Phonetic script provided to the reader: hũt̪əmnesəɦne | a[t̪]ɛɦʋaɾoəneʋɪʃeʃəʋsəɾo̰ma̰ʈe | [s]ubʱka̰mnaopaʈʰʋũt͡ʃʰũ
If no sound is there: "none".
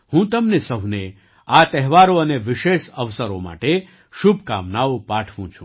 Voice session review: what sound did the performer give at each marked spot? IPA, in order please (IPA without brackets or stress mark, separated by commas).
t̪, ʃ